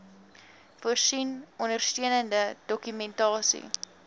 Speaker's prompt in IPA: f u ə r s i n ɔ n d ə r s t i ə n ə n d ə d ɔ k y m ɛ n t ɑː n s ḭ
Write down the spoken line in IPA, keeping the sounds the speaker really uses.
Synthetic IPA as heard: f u ə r s i n ɔ n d ə r s t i ə n ə n d ə d ɔ k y m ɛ n t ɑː s ḭ